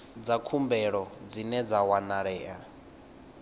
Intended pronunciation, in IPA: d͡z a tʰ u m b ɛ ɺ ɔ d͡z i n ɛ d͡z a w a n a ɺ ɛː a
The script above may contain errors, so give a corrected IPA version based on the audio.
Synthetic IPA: d͡z a kʰ u m b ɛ ɺ ɔ d͡z i n ɛ d͡z a w a n a ɺ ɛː a